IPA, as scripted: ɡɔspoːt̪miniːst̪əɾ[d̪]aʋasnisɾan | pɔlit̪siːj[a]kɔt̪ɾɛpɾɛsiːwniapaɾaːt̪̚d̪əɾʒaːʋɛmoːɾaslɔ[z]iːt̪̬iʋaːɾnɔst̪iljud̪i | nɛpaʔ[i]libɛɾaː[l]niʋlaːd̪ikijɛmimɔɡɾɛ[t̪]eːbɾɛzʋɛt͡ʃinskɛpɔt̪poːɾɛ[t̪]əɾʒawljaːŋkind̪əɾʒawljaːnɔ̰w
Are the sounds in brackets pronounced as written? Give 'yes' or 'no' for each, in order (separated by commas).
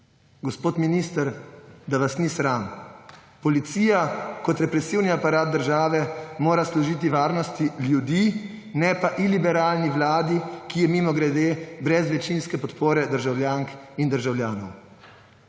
yes, yes, no, yes, yes, no, no